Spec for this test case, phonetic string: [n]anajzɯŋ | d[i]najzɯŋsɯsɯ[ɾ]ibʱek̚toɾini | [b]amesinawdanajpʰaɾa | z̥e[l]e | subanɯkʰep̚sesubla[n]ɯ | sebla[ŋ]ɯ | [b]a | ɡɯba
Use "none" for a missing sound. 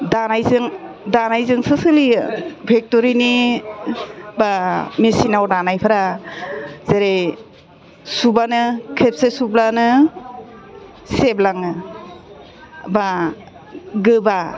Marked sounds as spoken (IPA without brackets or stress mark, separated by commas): d, a, l, b, ɾ, n, ŋ, b